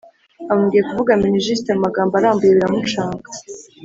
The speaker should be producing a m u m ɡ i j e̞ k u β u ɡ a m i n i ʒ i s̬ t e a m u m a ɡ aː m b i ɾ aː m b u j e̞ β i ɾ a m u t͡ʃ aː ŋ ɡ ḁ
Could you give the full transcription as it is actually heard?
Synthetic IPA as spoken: a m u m ɡ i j e̞ k u v u ɡ a m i n i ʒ i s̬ t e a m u m a ɡ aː m b a ɾ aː m b u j e̞ β i ɾ a m u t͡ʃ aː ŋ ɡ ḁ